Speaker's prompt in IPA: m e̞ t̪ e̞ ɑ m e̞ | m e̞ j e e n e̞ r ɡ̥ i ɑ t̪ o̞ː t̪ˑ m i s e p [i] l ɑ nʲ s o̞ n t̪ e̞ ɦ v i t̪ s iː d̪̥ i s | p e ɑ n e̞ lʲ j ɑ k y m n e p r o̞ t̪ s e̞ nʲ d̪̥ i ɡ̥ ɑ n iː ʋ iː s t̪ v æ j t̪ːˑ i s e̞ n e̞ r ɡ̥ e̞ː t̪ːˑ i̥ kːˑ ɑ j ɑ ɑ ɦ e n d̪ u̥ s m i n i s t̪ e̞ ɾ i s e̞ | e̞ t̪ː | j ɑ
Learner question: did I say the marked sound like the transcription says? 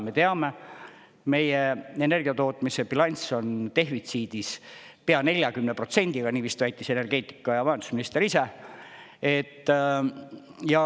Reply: yes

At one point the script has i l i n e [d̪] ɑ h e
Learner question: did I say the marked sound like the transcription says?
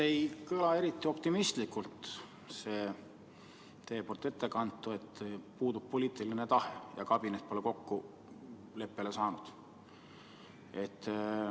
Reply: no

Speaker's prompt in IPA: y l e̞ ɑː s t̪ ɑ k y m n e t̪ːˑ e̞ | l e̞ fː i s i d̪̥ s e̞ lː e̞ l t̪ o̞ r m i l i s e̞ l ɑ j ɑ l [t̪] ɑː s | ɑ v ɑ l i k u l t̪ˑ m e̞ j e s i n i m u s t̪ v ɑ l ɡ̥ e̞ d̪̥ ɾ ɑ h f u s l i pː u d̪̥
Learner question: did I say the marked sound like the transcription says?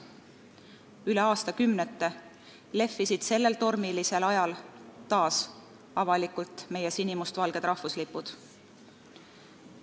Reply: yes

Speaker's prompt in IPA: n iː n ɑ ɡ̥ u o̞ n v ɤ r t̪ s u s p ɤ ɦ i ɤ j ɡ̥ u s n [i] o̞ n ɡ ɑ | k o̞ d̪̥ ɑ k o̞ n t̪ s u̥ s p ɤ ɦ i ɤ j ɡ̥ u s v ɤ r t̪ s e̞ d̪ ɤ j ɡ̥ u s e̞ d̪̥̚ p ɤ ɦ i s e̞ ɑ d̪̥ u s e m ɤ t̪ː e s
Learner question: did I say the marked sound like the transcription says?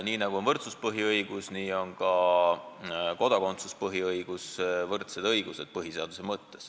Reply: no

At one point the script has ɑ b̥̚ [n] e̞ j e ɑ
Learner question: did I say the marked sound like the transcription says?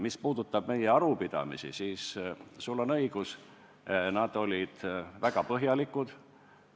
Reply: no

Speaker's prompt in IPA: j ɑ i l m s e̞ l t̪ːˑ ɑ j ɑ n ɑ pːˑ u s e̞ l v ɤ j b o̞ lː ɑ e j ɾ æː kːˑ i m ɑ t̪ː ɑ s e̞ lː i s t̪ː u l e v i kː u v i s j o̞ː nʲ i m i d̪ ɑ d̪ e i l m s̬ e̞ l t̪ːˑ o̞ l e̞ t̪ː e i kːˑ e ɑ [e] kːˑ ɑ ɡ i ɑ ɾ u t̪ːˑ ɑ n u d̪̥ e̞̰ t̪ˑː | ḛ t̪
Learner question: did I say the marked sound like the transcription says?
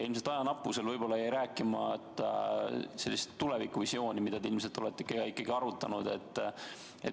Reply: no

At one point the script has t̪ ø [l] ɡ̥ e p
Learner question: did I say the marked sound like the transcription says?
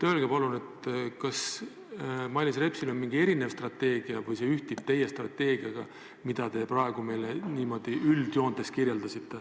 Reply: yes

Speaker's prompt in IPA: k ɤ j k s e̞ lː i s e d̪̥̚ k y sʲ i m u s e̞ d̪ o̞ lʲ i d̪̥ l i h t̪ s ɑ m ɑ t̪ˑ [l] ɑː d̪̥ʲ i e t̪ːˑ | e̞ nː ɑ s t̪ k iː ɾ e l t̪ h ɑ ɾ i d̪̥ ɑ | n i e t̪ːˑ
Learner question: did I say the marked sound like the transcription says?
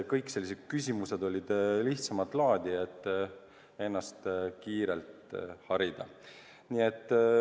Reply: yes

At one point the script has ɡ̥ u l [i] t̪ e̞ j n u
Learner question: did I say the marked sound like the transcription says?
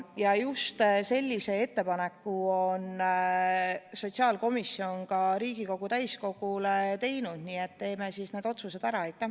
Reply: no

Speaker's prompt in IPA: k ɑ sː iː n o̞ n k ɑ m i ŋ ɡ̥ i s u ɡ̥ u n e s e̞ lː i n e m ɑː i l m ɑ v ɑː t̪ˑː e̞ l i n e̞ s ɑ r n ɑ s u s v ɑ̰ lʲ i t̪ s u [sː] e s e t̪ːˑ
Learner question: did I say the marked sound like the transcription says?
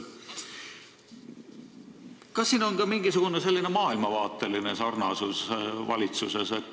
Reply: no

